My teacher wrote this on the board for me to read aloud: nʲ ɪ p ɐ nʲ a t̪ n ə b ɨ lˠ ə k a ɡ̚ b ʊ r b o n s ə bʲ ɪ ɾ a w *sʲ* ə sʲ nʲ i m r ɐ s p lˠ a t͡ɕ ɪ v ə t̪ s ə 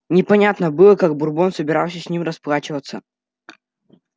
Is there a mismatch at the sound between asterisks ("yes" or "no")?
no